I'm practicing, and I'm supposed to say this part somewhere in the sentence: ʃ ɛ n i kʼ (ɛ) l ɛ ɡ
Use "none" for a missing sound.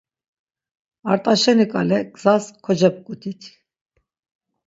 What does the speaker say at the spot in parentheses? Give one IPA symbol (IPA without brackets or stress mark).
a